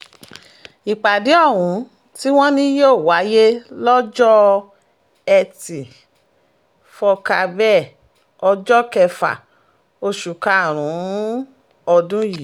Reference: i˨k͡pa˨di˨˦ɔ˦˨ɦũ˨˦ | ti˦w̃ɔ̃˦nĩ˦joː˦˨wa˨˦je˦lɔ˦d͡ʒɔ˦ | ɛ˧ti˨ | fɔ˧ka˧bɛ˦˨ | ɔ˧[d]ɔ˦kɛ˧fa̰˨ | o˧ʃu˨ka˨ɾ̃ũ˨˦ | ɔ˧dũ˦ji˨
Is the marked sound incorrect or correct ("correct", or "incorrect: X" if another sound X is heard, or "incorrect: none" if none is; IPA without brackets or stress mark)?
incorrect: d͡ʒ